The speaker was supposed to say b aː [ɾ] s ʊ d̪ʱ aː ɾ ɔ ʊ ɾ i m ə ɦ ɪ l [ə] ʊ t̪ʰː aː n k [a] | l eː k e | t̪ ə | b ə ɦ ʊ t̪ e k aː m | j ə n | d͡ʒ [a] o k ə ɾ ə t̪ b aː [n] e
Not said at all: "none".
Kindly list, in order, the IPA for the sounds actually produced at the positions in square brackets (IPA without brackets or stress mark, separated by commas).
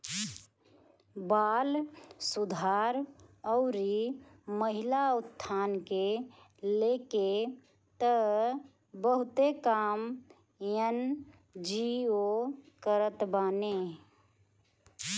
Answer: l, a, e, i, n